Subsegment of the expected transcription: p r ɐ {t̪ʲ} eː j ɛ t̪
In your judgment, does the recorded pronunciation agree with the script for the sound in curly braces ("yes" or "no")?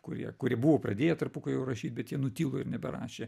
no